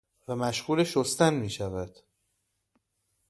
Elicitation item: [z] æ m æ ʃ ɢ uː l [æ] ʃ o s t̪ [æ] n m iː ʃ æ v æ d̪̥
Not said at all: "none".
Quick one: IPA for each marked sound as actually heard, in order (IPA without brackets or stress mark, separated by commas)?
v, e, æ